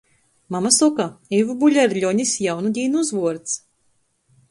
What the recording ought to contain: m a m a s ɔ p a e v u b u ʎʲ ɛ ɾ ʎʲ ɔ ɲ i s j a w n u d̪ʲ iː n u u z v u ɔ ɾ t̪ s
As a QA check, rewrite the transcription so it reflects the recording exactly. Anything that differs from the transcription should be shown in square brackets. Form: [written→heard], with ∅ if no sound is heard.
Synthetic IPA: m a m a s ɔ [p→k] a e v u b u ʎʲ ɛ ɾ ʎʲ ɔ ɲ i s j a w n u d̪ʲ iː n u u z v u ɔ ɾ t̪ s